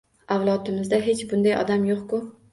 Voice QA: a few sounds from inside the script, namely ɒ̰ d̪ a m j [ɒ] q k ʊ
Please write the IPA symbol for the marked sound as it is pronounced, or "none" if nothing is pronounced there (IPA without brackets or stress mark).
o